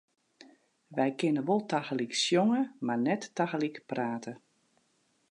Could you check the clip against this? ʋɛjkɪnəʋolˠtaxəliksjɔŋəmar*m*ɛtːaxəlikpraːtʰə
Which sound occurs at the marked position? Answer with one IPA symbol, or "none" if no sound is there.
n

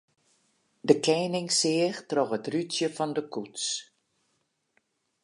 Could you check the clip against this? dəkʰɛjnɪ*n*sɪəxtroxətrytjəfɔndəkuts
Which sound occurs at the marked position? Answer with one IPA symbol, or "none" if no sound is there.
ŋ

